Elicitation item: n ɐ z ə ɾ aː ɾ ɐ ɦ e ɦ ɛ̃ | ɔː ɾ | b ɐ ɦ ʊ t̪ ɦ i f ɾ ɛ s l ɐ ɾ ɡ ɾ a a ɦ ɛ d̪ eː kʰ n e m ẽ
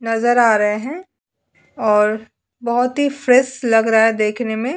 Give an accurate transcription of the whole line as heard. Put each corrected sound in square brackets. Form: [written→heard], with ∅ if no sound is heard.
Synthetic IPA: n ɐ z ə ɾ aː ɾ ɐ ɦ e ɦ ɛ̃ | ɔː ɾ | b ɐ ɦ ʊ t̪ ɦ i f ɾ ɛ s l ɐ [ɾ→∅] ɡ ɾ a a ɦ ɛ d̪ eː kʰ n e m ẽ